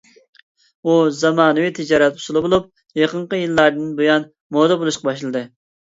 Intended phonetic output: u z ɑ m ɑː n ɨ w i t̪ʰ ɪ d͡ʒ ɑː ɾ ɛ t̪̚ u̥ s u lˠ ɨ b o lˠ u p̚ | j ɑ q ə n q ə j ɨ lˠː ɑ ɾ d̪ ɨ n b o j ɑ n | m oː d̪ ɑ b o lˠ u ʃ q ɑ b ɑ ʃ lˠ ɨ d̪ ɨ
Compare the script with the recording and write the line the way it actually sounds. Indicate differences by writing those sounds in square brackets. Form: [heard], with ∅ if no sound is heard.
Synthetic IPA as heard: u z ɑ m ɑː n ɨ w i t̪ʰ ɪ d͡ʒ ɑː ɾ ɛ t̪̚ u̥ s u lˠ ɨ b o lˠ u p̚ | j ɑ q ə [ɴ] q ə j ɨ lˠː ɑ ɾ d̪ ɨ n b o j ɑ n | m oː d̪ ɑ b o lˠ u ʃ q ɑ b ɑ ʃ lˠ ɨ d̪ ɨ